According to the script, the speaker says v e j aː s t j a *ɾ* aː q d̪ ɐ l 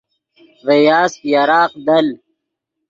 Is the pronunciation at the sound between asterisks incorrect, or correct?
correct